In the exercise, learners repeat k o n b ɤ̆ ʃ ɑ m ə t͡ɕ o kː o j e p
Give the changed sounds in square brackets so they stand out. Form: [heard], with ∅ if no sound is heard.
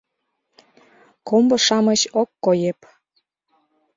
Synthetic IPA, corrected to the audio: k o [m] b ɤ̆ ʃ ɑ m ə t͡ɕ o kː o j e p

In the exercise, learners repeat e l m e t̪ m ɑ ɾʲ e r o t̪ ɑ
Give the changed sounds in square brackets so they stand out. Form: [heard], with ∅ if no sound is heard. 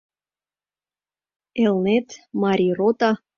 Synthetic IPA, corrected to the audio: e l [n] e t̪ m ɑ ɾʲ [i] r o t̪ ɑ

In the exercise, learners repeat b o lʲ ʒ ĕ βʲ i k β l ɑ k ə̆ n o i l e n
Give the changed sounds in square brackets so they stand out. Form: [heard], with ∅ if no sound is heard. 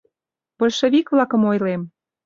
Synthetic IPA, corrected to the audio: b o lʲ [ʃ] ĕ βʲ i k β l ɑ k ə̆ [m] o [j] l e [m]

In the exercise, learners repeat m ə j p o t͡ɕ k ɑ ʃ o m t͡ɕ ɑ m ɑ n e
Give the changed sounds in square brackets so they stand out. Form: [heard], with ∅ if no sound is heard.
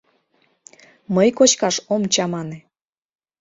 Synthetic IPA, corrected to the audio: m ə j [k] o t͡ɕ k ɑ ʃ o m t͡ɕ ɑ m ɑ n e

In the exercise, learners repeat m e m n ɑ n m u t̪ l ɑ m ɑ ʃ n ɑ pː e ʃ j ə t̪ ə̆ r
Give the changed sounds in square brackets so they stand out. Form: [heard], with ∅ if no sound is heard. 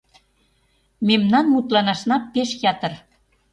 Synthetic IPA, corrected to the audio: m e m n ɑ n m u t̪ l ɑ [n] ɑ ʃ n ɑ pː e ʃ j [ɑ] t̪ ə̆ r

